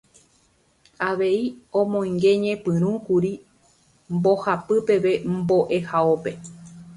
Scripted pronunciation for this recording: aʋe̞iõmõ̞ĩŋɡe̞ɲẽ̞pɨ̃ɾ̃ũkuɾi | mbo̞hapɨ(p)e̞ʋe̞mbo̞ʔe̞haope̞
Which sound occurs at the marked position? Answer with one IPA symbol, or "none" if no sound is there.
p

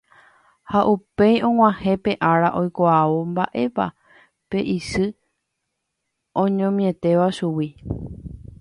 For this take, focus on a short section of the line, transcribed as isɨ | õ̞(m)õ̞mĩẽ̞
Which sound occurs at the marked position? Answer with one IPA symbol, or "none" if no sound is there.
ɲ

